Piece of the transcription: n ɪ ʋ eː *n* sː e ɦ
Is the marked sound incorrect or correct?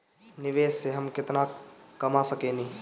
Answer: incorrect